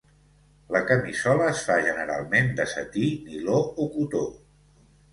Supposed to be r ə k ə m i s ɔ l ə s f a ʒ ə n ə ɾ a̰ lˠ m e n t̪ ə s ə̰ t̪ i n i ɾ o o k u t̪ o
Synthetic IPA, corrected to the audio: l ə k ə m i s ɔ l əː s f a ʒ ə n ə ɾ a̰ lˠ m e n d̪ ə s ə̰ t̪ i n i l o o k u t̪ o